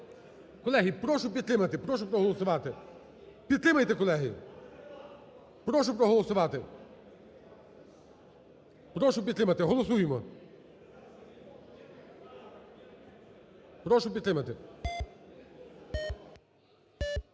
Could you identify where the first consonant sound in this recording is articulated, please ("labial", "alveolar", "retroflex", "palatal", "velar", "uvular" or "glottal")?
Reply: velar